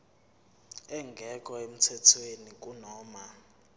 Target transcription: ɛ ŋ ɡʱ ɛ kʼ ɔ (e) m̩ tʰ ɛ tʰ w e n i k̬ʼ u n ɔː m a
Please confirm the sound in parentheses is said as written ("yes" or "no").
yes